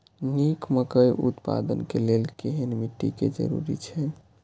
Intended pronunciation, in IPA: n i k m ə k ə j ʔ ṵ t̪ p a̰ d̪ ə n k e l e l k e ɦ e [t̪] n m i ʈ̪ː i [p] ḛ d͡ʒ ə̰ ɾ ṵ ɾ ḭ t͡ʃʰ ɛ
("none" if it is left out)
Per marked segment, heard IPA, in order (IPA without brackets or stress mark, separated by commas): none, k